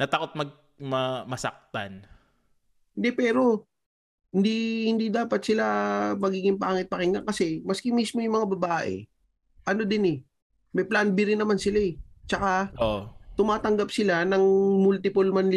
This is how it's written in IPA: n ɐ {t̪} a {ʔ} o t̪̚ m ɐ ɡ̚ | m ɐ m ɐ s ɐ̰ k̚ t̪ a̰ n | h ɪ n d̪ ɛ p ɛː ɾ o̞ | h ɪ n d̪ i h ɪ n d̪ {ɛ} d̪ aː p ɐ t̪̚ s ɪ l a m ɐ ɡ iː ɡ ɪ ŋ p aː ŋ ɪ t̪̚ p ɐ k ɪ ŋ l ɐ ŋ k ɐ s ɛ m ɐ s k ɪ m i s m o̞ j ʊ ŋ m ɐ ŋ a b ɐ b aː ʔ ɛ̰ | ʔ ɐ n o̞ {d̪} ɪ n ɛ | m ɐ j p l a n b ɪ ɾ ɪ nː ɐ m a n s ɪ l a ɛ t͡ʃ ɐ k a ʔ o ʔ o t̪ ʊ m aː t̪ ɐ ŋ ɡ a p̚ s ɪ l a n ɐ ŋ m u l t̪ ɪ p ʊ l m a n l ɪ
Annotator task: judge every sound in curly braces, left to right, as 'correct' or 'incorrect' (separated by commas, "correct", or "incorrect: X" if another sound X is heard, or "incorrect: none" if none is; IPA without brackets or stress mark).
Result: correct, incorrect: k, incorrect: i, correct